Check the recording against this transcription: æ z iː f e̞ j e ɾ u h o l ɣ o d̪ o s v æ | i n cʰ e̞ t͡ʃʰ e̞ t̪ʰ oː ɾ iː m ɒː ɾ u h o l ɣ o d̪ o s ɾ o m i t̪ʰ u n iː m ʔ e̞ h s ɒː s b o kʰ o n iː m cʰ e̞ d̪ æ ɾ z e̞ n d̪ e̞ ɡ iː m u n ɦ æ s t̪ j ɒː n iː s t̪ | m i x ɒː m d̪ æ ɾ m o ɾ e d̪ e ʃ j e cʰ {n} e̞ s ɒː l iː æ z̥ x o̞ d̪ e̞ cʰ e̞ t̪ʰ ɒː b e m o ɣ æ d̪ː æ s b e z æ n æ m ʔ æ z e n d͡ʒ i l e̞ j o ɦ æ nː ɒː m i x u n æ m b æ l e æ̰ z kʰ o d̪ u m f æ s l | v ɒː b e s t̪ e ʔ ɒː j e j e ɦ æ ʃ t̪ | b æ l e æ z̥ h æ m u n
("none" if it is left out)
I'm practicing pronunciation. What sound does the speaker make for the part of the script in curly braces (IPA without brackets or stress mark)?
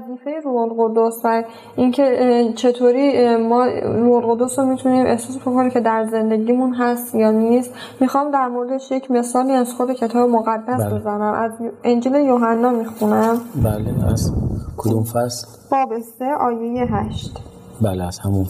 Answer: m